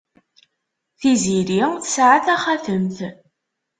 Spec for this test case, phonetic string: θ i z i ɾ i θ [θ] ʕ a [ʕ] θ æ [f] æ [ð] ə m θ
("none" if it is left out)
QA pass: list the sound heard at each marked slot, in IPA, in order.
s, none, χ, θ

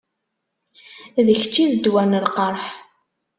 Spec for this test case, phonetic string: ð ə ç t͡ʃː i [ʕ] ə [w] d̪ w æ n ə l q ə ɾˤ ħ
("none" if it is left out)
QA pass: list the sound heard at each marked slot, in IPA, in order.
ð, none

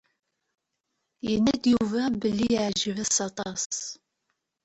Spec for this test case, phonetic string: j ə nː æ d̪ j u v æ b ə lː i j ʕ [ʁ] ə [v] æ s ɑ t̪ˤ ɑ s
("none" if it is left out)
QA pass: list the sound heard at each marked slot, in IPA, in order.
ʒ, v

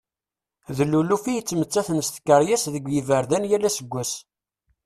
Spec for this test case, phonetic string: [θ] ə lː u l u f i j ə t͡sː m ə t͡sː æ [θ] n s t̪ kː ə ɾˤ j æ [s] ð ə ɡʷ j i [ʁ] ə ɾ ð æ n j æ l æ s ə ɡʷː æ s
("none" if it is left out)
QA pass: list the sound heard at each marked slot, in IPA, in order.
ð, θ, s, v

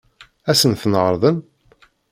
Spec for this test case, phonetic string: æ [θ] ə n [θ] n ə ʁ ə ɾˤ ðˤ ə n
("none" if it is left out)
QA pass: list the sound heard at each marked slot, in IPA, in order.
s, θ

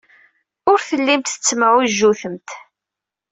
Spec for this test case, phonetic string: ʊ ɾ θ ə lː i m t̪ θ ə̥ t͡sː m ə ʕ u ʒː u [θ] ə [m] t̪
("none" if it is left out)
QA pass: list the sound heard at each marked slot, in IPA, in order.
θ, m

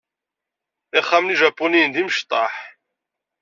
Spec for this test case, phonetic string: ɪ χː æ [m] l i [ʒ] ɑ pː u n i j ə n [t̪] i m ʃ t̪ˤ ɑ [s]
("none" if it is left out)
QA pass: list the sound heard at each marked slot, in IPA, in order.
m, ʒ, d̪, ħ

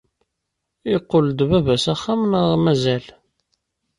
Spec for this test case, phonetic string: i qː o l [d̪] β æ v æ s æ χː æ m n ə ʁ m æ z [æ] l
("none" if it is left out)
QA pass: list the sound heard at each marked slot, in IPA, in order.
d̪, æ

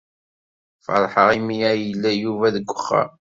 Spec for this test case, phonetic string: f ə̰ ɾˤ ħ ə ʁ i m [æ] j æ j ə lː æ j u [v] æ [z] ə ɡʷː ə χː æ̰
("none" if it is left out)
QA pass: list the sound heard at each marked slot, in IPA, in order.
i, v, ð

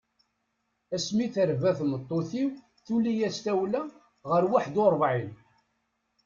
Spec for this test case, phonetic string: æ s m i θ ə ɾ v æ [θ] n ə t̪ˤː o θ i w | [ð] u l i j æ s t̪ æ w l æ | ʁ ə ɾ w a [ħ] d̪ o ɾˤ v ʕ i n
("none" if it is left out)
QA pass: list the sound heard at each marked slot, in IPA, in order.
θ, θ, ħ

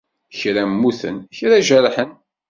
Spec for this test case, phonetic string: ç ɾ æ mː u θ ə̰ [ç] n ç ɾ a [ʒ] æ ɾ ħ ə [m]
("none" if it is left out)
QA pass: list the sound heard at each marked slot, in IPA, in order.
none, ʒ, n

